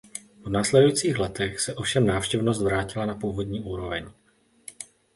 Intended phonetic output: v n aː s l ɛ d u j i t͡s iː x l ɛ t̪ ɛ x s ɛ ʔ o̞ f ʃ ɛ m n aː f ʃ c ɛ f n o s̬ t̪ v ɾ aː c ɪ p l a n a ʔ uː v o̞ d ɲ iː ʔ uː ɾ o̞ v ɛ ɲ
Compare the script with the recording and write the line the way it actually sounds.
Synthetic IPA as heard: v n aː s l ɛ d u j i t͡s iː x l ɛ t̪ ɛ x s ɛ ʔ o̞ f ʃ ɛ m n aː f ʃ c ɛ v n o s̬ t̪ v ɾ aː c ɪ l a n a p uː v o̞ d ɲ iː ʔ uː ɾ o̞ v ɛ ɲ